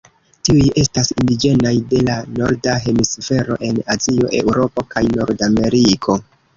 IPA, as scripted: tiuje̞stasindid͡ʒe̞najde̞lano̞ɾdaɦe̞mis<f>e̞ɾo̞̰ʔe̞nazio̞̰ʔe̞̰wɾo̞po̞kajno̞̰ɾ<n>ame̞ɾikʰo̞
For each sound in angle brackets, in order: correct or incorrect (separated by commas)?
correct, incorrect